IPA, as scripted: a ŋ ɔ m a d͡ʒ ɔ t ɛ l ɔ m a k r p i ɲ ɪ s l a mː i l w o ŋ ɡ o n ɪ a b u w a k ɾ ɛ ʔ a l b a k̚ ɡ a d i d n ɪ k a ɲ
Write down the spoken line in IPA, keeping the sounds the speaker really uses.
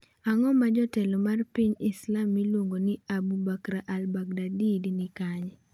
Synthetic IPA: a ŋ ɔ m a d͡ʒ ɔ t ɛ l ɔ m a r p i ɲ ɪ s l a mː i l w o ŋ ɡ o n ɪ a b u b a k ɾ a ʔ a l b a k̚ d a d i d n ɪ k a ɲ